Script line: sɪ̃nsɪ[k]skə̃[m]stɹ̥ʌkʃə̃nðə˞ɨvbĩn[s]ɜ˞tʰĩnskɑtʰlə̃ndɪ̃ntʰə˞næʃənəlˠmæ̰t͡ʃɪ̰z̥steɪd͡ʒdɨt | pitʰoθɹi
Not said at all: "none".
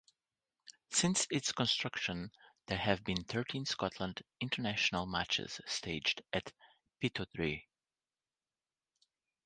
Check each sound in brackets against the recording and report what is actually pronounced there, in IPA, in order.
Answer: t, n, θ

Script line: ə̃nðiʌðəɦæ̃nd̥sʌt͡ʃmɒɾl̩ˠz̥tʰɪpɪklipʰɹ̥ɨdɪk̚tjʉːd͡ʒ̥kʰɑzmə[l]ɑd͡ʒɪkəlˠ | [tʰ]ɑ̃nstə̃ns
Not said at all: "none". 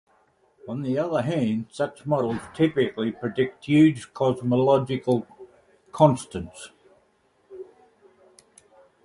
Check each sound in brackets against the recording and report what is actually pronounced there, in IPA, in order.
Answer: l, kʰ

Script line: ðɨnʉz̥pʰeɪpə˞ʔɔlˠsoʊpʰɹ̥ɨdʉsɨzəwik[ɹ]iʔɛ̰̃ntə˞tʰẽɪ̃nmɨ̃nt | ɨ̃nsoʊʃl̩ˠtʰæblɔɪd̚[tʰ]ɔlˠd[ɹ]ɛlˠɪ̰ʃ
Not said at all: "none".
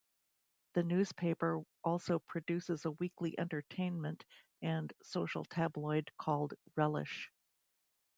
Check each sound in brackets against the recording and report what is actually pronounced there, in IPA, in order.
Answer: l, kʰ, ɹ

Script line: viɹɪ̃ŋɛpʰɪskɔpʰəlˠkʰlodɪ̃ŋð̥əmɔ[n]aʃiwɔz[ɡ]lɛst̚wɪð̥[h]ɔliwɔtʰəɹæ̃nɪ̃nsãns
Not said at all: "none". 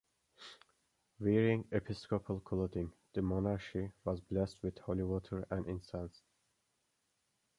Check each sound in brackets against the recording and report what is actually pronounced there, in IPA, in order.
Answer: n, b, h

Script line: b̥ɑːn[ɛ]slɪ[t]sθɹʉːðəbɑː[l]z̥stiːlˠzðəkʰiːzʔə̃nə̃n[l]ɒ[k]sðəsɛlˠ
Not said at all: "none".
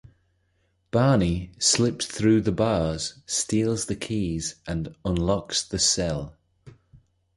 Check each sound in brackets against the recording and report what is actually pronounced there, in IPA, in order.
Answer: i, p, none, l, k

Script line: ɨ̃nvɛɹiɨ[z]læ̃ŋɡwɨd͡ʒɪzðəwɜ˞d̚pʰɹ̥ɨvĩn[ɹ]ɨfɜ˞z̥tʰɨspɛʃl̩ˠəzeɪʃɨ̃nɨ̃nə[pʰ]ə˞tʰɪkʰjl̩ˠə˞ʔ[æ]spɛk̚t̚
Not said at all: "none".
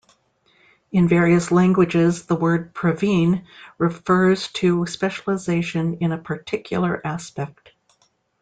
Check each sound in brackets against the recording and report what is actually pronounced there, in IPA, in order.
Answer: s, ɹ, pʰ, æ

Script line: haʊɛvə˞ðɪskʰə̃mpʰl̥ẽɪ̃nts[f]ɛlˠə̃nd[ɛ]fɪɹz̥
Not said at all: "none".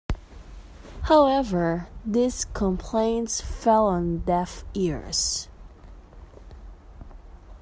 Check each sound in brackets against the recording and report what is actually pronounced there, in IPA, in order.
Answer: f, ɛ

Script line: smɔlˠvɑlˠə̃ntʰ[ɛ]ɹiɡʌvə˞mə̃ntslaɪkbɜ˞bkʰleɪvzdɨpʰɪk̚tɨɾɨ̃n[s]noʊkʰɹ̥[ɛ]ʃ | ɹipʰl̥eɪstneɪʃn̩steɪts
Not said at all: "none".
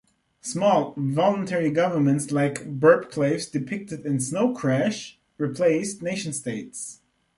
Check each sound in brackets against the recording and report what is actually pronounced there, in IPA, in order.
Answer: ɛ, s, æ

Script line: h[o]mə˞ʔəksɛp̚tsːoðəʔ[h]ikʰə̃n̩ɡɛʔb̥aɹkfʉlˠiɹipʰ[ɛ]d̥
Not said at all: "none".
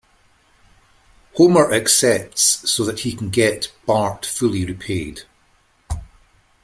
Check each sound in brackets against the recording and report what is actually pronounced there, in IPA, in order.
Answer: o, h, e

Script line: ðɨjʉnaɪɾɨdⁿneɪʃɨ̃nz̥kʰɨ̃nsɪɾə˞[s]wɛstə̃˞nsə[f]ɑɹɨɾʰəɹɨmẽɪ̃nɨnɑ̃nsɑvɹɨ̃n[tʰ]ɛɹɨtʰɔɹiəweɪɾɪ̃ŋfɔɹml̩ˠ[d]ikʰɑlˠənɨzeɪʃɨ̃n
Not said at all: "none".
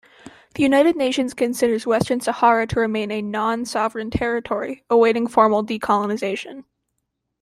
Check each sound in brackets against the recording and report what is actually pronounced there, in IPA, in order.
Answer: z, h, tʰ, d

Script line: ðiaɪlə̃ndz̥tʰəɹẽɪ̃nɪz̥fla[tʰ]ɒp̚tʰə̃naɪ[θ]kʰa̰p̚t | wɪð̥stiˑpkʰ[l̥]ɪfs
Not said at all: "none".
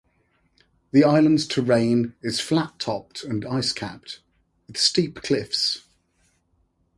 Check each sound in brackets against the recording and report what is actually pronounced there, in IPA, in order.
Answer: tʰ, s, l̥

